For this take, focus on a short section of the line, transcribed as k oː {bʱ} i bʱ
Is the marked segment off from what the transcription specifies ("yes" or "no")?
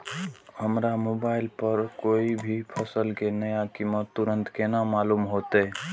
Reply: yes